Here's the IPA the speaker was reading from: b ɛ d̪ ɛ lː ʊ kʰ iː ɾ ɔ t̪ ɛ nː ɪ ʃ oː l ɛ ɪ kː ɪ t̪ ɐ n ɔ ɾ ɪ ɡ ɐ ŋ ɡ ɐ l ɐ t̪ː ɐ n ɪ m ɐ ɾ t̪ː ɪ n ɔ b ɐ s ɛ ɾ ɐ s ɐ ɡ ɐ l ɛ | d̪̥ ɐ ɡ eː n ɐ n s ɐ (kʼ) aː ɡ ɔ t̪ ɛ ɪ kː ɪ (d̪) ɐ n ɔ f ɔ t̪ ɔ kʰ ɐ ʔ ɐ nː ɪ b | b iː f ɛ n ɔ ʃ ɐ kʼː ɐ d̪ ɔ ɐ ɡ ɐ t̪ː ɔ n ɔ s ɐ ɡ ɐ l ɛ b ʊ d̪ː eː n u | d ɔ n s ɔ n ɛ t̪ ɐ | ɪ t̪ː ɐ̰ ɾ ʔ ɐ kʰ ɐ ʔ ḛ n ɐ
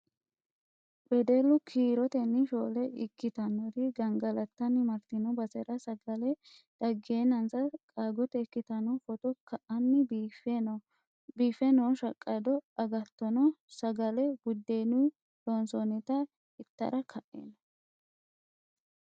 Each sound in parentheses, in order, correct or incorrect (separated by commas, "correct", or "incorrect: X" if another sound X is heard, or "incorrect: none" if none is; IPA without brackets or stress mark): correct, incorrect: t̪